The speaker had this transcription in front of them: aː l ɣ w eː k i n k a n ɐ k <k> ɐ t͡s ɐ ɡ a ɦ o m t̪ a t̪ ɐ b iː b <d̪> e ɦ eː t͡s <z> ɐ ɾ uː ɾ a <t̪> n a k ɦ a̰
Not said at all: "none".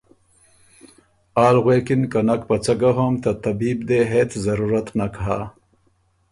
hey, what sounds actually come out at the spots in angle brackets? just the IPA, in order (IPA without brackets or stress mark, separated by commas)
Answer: p, d̪, z, t̪